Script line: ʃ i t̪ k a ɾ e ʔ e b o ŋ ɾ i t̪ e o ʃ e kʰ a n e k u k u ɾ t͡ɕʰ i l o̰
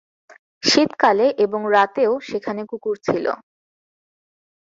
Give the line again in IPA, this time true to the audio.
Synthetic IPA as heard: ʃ i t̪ k a l e ʔ e b o ŋ ɾ a t̪ e o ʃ e kʰ a n e k u k u ɾ t͡ɕʰ i l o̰